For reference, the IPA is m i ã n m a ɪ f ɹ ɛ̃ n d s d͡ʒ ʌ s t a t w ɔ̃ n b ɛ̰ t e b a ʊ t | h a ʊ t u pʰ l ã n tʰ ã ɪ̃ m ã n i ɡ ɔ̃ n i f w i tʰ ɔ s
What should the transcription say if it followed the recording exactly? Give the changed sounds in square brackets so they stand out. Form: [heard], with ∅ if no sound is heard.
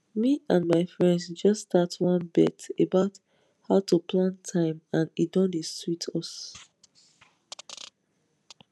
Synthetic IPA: m i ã n m a ɪ f ɹ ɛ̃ n d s d͡ʒ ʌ s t a t w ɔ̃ n b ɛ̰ t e b a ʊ t | h a ʊ t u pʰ l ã n tʰ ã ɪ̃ m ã n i [d] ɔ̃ n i [s] w i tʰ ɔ s